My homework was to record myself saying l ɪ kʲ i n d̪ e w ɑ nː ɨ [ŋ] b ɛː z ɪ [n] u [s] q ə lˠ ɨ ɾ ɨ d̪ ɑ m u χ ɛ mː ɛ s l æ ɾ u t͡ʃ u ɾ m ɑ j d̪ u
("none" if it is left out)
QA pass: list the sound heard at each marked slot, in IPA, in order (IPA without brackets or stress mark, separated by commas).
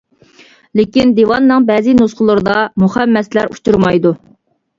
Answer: ŋ, n, s